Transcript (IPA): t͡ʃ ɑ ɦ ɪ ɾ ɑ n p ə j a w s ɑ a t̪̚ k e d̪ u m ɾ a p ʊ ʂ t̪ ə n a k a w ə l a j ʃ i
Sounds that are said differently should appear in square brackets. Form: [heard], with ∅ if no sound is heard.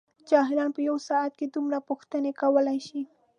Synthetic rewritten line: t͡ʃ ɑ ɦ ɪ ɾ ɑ n p ə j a w s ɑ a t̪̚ k e d̪ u m ɾ a p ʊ [x] t̪ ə n [e] k a w ə l a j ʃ i